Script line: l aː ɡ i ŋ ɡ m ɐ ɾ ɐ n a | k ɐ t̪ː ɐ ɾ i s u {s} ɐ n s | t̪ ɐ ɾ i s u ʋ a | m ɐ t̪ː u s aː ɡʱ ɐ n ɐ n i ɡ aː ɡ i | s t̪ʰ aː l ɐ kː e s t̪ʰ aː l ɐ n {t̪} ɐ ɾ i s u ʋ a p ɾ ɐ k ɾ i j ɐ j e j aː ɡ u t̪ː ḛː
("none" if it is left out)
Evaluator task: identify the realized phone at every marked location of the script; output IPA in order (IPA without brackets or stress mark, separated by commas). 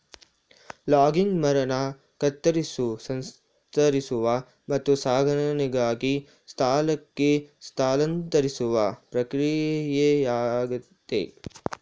s, t̪